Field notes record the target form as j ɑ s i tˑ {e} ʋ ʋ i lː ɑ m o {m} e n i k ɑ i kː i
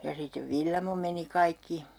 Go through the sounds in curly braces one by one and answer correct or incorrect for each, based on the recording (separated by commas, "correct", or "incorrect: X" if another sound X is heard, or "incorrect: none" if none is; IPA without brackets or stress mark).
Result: correct, correct